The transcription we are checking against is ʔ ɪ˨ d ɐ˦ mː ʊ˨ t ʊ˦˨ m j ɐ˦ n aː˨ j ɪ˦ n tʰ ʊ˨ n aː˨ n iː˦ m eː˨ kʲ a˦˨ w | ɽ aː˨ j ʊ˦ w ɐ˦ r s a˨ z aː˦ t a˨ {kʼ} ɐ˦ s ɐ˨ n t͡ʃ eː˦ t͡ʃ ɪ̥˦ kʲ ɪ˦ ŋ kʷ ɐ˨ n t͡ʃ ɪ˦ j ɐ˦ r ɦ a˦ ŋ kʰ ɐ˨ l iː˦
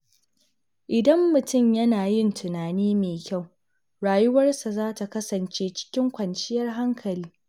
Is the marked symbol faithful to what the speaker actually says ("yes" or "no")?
no